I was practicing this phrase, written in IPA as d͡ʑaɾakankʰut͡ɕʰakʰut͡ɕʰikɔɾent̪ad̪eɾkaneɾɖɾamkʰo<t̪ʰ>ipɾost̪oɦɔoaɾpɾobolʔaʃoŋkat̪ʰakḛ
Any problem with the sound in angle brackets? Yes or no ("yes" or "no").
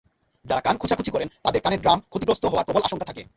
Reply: yes